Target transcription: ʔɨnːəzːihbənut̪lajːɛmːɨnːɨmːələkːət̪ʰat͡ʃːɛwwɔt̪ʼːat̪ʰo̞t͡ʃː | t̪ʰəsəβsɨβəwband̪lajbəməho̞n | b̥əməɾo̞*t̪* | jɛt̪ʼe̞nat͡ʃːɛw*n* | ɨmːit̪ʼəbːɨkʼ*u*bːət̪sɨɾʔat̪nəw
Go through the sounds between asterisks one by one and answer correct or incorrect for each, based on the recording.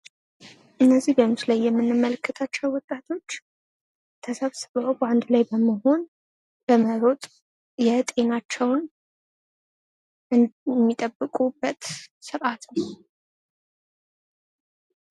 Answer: incorrect: t̪ʼ, correct, correct

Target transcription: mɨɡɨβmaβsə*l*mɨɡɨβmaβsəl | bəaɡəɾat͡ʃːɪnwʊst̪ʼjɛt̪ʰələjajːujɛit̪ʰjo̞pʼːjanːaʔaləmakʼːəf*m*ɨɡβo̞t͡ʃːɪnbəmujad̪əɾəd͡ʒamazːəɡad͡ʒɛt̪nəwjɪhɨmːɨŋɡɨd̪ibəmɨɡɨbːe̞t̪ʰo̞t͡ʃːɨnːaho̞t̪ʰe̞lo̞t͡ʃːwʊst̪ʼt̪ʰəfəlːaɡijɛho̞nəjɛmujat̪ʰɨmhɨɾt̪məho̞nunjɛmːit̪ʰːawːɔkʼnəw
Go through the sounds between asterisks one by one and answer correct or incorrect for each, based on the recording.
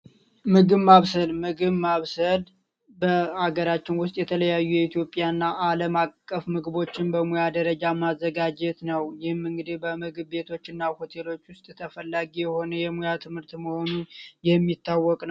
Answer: correct, correct

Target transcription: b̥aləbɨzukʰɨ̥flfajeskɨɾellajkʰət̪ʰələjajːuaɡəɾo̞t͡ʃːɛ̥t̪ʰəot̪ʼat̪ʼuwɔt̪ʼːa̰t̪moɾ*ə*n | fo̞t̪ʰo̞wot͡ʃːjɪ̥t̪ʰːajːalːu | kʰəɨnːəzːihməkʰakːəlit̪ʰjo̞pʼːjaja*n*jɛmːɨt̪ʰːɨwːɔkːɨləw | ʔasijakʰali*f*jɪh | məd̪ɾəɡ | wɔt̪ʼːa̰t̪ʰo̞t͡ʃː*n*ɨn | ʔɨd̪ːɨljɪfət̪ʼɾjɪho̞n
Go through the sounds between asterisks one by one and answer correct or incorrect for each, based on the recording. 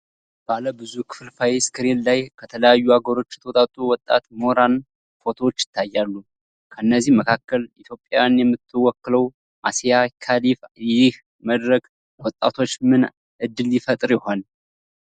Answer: incorrect: a, correct, correct, incorrect: m

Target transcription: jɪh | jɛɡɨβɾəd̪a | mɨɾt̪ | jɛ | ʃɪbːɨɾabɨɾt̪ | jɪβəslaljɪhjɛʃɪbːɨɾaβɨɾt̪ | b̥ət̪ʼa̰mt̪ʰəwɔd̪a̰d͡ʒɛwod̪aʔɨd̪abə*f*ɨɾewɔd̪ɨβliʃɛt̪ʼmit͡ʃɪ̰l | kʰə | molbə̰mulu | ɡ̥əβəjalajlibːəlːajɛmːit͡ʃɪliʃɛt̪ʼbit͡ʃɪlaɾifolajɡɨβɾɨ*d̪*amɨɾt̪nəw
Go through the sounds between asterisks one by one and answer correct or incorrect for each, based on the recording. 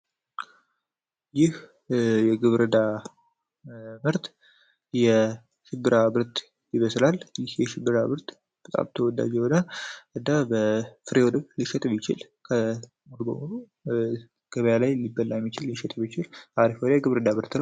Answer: correct, correct

